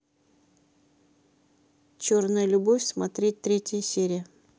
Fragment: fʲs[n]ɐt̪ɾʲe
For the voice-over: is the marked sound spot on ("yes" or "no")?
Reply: no